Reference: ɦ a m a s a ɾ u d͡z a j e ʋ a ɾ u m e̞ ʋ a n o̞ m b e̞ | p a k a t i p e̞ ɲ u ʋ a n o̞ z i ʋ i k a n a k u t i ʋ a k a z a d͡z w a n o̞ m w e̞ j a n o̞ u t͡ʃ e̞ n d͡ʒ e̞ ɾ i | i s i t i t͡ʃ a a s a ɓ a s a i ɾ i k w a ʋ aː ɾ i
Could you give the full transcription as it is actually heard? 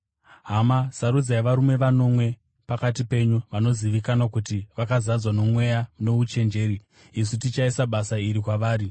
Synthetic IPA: ɦ a m a s a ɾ u d͡z a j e ʋ a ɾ u m e̞ ʋ a n o̞ m w e̞ | p a k a t i p e̞ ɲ u ʋ a n o̞ z i ʋ i k a n a k u t i ʋ a k a z a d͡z w a n o̞ m w e̞ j a n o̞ u t͡ʃ e̞ n d͡ʒ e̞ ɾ i | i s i t i t͡ʃ a i s a ɓ a s a i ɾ i k w a ʋ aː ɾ i